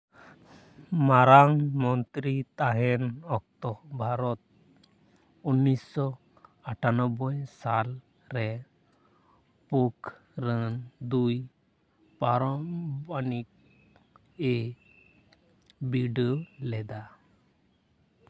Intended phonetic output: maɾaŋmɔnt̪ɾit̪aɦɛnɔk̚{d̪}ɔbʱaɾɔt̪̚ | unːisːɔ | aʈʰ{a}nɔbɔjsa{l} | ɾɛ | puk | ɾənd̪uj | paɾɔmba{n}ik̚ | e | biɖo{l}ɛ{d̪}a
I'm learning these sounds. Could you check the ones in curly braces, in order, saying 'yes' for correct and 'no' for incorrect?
no, yes, yes, yes, yes, yes

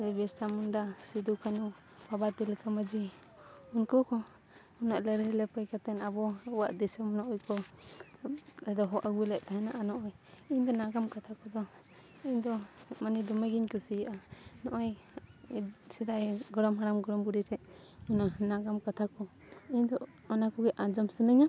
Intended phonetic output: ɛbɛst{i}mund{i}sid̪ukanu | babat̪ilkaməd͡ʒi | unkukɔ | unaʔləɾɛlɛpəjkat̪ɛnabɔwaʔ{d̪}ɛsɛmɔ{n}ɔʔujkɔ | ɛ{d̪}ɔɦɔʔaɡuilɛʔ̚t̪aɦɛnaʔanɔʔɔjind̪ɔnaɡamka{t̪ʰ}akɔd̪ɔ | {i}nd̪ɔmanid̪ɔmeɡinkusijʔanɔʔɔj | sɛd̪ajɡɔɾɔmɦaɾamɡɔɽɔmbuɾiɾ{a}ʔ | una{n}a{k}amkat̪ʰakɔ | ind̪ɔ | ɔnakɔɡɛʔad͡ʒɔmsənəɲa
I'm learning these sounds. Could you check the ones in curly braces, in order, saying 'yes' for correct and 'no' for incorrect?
no, no, yes, yes, yes, yes, yes, no, yes, no

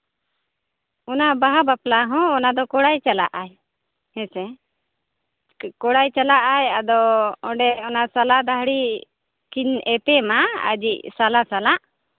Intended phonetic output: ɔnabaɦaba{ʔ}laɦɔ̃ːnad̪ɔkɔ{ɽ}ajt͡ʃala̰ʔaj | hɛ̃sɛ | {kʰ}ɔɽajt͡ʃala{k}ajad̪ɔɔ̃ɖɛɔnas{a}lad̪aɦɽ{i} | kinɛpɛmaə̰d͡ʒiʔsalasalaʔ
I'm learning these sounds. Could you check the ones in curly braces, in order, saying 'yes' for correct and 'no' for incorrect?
no, yes, no, no, yes, yes

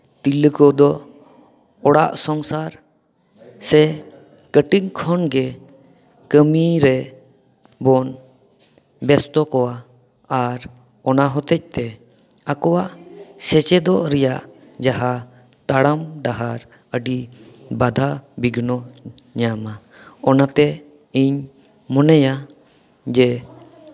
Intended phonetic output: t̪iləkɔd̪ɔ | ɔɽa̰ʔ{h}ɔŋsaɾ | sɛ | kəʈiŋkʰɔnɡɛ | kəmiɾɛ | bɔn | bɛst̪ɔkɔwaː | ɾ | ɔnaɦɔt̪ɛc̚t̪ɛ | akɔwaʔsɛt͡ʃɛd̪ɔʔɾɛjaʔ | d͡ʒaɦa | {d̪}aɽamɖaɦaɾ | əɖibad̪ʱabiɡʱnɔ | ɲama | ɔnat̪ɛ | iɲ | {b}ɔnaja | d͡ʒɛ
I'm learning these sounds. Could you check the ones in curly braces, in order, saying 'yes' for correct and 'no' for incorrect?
no, no, no

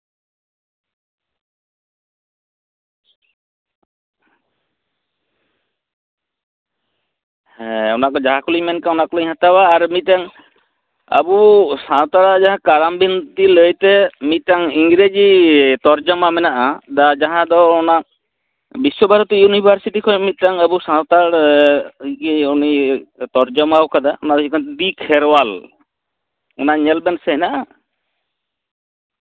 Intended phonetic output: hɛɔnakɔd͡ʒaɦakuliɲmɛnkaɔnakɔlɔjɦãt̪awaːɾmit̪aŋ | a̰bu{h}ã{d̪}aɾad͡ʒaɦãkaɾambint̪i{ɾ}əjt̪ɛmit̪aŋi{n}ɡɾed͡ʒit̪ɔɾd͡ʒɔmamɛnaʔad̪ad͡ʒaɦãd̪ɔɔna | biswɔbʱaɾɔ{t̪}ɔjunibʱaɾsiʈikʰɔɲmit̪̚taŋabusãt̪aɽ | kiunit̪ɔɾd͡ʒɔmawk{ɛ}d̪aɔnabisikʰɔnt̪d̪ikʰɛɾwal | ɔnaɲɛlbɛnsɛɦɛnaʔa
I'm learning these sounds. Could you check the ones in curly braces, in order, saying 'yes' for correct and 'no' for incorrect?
no, no, no, no, yes, no

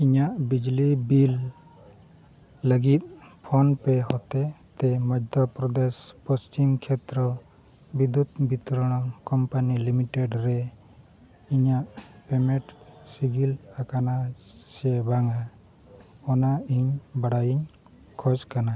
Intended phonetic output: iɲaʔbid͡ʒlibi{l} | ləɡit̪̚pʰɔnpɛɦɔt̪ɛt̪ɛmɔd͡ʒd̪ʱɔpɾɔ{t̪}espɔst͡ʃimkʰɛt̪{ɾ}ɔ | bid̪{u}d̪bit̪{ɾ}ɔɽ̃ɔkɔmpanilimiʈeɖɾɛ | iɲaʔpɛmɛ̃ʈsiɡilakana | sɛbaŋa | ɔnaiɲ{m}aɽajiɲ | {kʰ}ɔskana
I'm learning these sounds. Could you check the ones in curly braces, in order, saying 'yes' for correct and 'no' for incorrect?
yes, no, yes, yes, yes, no, yes

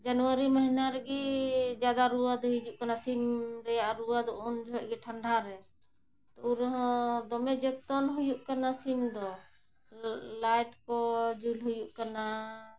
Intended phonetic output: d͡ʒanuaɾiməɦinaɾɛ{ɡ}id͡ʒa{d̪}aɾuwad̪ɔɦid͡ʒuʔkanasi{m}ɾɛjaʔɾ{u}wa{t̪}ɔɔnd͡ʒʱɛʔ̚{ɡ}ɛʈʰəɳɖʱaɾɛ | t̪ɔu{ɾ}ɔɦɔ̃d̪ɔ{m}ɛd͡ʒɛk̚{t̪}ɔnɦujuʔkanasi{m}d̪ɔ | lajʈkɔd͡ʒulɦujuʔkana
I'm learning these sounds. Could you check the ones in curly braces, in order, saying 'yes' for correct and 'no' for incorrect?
yes, yes, yes, yes, no, yes, yes, yes, yes, yes

